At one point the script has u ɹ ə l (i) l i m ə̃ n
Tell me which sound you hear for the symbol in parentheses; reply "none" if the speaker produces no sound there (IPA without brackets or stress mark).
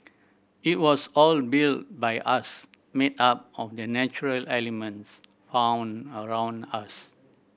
ɛ